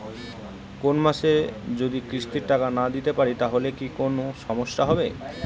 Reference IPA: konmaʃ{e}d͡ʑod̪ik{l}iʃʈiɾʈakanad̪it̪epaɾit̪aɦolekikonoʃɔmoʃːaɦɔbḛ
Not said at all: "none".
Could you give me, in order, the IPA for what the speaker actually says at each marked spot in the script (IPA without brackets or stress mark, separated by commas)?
e, ɾ